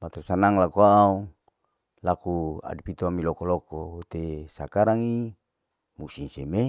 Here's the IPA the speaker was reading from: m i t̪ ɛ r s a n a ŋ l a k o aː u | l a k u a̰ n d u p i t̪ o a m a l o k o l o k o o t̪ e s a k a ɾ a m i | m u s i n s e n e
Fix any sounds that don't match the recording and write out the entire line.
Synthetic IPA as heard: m a t̪ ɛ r s a n a ŋ l a k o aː u | l a k u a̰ d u p i t̪ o a m i l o k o l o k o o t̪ e s a k a ɾ a ŋ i | m u s i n s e m e